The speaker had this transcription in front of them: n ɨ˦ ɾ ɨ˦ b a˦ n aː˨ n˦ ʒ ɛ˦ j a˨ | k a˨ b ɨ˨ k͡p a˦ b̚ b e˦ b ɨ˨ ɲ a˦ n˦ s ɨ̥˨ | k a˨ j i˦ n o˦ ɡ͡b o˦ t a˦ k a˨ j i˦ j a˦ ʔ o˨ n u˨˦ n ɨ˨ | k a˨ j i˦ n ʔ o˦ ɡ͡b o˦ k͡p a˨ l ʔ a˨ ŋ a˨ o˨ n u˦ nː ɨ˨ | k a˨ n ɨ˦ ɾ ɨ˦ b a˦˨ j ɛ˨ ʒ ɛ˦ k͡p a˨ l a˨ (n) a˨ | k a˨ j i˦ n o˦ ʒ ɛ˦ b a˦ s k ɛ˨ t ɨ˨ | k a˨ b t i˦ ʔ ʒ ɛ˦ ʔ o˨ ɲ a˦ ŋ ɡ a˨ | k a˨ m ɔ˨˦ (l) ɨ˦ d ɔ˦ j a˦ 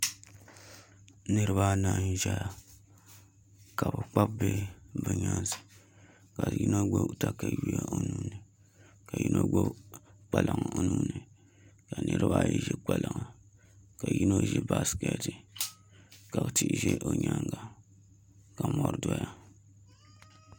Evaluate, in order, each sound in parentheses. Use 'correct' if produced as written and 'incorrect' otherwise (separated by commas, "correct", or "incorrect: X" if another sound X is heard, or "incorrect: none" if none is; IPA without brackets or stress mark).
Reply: incorrect: ŋ, incorrect: ɾ